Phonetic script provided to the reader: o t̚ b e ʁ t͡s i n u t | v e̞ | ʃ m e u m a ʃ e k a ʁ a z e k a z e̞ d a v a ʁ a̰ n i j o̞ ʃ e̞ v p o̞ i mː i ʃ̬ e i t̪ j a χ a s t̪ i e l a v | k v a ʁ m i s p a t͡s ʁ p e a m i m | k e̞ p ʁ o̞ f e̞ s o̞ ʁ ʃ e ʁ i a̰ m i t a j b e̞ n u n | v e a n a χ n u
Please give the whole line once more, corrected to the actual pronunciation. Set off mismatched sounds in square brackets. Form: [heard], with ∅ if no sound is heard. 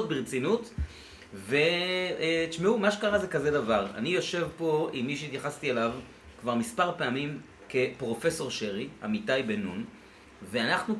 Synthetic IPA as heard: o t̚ b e ʁ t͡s i n u t | v e̞ | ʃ m e u m a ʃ e k a ʁ a z e k a z e̞ d a v a ʁ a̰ n i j o̞ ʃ e̞ v p o̞ i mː i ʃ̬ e i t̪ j a χ a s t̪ i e l a v | k v a ʁ m i s p a [∅] ʁ p e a m i m | k e̞ p ʁ o̞ f e̞ s o̞ ʁ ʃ e ʁ i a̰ m i t a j b e̞ n u n | v e a n a χ n u